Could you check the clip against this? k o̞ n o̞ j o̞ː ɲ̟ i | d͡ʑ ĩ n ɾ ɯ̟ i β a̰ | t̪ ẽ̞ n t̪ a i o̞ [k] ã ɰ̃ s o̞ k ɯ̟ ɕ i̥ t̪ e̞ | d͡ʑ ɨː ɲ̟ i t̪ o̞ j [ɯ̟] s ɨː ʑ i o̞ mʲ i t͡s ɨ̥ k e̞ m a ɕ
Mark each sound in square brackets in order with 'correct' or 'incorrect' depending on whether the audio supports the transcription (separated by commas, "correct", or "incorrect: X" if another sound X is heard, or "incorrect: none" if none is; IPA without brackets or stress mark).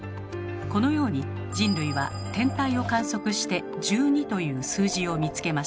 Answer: correct, incorrect: ɯ̟ː